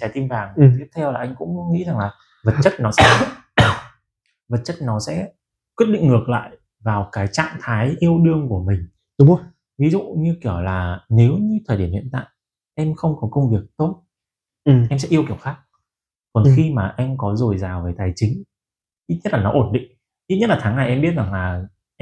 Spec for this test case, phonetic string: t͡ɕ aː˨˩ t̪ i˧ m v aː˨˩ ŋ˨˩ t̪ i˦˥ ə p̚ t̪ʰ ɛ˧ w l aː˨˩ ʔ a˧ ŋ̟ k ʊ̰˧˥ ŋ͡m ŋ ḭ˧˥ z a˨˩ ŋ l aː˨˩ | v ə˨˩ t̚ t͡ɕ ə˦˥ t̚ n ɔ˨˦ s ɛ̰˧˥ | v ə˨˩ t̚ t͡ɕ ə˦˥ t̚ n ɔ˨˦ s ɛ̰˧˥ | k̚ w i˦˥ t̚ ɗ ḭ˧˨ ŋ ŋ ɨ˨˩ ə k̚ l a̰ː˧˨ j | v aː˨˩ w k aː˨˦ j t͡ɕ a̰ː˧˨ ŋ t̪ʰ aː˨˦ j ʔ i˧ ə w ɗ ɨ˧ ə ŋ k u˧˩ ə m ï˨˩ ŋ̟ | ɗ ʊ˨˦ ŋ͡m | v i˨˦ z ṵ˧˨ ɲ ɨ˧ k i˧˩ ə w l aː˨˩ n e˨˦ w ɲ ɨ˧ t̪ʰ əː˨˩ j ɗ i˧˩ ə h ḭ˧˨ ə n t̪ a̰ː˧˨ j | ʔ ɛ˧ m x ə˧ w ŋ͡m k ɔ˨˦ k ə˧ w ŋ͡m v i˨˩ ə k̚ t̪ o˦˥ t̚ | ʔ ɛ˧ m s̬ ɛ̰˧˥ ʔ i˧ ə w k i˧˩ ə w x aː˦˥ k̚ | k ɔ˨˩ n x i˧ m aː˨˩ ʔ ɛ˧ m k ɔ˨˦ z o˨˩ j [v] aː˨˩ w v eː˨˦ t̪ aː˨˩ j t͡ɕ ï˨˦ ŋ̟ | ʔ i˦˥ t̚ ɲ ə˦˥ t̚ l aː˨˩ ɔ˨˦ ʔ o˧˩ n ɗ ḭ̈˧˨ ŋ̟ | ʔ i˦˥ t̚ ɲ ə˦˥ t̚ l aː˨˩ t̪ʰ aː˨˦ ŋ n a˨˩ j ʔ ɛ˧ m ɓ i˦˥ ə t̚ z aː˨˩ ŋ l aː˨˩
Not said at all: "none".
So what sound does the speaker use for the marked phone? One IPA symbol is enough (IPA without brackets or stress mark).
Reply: z